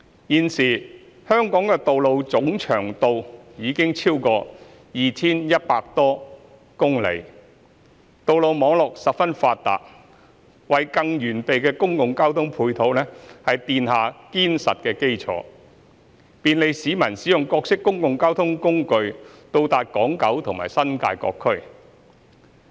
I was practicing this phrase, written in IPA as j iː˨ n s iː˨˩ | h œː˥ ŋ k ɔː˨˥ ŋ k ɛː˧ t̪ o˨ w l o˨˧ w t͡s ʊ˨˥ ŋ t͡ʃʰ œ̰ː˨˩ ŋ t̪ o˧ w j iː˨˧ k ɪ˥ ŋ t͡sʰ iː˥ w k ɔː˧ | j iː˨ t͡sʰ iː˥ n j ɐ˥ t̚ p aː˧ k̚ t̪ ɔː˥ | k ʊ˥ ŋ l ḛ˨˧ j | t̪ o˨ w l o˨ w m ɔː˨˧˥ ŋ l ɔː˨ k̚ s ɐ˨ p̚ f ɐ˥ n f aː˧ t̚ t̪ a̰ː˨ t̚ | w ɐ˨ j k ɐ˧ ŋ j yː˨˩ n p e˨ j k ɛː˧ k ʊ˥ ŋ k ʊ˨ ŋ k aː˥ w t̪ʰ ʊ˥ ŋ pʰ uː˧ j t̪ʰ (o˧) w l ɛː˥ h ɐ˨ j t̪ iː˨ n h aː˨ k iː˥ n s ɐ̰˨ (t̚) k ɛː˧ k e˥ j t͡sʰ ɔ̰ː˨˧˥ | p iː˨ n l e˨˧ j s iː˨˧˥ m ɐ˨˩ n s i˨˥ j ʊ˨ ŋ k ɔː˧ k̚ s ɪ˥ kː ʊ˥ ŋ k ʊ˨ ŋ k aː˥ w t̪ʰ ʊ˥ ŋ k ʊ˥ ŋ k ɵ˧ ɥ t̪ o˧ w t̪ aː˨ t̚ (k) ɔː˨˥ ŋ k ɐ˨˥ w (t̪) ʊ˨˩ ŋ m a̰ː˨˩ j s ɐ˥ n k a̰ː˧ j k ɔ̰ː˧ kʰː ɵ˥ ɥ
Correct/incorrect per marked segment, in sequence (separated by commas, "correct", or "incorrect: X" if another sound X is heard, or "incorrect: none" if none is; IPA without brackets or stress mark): incorrect: o˨˥, correct, correct, incorrect: t̪ʰ